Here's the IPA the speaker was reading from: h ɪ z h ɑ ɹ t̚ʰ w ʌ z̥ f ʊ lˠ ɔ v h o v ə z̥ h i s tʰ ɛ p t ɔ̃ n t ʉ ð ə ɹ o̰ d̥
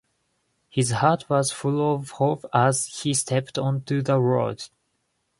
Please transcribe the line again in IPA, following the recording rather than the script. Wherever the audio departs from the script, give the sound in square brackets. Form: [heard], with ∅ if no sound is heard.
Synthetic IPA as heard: h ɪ z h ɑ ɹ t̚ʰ w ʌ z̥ f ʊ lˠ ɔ v h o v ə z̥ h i s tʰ ɛ p t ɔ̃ n t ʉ ð ə ɹ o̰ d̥

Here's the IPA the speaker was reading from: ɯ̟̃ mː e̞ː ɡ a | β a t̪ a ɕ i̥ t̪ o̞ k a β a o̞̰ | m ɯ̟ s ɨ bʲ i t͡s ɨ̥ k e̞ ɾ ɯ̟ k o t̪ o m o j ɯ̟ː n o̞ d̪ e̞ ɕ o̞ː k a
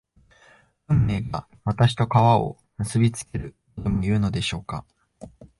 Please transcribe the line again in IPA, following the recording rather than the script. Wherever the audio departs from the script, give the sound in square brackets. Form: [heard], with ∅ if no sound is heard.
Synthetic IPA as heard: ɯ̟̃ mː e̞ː ɡ a | β a t̪ a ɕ i̥ t̪ o̞ k a β a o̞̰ | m ɯ̟ s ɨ bʲ i t͡s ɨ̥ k e̞ ɾ ɯ̟ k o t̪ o m o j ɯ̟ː n o̞ d̪ e̞ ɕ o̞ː k a

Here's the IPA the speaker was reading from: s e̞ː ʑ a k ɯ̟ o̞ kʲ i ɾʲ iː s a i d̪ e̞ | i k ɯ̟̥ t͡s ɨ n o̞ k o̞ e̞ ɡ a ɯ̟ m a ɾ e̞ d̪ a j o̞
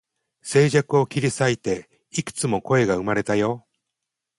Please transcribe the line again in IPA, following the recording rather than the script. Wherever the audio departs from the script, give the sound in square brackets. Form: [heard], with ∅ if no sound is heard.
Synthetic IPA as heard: s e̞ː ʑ a k ɯ̟ o̞ kʲ i ɾʲ [i] s a i [t̪] e̞ | i k ɯ̟̥ t͡s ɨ [m] o̞ k o̞ e̞ ɡ a ɯ̟ m a ɾ e̞ [t̪] a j o̞

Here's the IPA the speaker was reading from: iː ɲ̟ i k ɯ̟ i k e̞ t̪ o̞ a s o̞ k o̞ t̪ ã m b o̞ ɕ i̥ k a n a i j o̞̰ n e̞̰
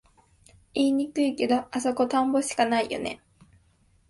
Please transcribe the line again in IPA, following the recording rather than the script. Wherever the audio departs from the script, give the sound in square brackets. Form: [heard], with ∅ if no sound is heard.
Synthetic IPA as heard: iː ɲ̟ i k ɯ̟ i k e̞ [d̪] o̞ a s o̞ k o̞ t̪ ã m b o̞ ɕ i̥ k a n a i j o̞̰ n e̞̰

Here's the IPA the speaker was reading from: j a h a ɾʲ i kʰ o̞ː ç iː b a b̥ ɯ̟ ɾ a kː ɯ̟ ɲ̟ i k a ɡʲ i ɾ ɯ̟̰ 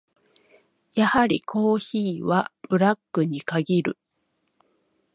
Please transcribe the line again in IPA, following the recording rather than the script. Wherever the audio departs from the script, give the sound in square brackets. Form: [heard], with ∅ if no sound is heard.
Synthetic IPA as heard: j a h a ɾʲ i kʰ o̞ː ç iː [β] a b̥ ɯ̟ ɾ a kː ɯ̟ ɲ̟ i k a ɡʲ i ɾ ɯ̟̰

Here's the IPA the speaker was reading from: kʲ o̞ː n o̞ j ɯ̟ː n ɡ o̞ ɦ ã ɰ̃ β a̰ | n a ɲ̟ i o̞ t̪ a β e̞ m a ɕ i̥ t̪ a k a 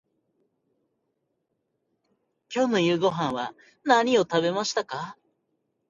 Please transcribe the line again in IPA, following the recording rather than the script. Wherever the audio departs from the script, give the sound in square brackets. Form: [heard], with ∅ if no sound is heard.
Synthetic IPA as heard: kʲ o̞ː n o̞ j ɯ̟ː [∅] ɡ o̞ ɦ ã ɰ̃ β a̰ | n a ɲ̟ i o̞ t̪ a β e̞ m a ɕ i̥ t̪ a k a

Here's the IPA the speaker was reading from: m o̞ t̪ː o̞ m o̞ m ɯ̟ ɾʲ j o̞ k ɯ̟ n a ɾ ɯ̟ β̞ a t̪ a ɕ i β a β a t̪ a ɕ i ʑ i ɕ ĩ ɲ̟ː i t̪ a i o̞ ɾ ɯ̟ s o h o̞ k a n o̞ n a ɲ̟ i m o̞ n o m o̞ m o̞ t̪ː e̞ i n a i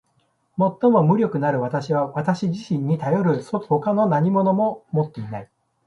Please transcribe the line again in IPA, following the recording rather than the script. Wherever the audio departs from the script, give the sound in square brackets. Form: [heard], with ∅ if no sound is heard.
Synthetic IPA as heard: m o̞ t̪ː o̞ m o̞ m ɯ̟ ɾʲ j o̞ k ɯ̟ n a ɾ ɯ̟ β̞ a t̪ a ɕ i β a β a t̪ a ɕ i ʑ i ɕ ĩ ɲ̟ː i t̪ a [j] o̞ ɾ ɯ̟ s o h o̞ k a n o̞ n a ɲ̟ i m o̞ n o m o̞ m o̞ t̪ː e̞ i n a i

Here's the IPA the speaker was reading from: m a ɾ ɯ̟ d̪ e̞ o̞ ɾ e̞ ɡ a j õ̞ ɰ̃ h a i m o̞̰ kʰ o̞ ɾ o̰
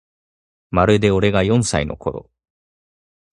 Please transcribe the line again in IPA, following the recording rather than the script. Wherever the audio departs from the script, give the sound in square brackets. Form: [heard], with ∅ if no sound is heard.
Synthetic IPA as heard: m a ɾ ɯ̟ d̪ e̞ o̞ ɾ e̞ ɡ a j õ̞ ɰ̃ [s] a i [n] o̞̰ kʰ o̞ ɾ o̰

